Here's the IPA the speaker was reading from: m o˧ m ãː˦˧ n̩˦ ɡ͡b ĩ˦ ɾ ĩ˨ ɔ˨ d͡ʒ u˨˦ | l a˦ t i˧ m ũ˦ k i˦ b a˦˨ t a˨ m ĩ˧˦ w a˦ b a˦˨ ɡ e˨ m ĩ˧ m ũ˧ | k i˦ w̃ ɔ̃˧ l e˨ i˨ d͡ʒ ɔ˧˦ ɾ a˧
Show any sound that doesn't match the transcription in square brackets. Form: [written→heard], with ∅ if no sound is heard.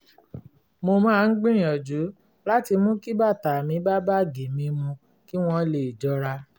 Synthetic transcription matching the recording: m o˧ m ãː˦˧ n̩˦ ɡ͡b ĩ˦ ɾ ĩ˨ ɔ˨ d͡ʒ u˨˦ | l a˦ t i˧ m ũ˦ k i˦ b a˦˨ t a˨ m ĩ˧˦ [w→b] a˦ b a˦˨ ɡ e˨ m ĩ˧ m ũ˧ | k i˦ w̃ ɔ̃˧ l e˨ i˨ d͡ʒ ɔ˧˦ ɾ a˧